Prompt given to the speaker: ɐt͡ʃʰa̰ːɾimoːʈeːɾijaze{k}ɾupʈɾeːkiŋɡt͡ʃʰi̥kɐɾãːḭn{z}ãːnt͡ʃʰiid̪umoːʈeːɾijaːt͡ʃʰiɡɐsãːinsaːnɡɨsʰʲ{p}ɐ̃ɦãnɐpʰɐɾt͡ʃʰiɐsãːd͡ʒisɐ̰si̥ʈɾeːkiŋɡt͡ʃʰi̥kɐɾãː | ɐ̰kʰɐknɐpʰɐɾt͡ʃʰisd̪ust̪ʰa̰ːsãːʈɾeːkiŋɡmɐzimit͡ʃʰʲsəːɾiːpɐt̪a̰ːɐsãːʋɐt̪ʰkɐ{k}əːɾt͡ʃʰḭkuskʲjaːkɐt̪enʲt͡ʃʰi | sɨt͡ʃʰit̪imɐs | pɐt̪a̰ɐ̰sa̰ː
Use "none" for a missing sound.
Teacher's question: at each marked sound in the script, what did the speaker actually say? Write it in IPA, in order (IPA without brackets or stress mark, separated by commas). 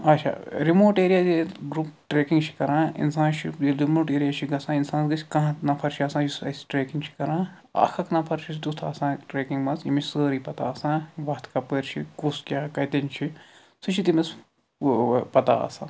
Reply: ɡ, s, k, p